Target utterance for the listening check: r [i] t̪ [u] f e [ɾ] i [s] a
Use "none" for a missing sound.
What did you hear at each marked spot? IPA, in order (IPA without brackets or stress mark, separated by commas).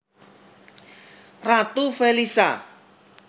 a, u, l, s